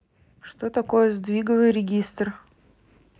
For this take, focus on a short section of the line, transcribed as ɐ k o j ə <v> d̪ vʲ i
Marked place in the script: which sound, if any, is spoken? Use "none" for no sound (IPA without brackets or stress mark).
z